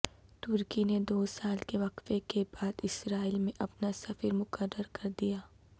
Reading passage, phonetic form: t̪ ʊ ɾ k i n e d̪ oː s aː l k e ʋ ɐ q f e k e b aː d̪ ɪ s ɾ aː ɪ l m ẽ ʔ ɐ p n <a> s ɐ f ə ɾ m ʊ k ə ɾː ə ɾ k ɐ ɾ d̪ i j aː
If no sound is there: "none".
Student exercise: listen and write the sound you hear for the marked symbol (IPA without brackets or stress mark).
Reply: a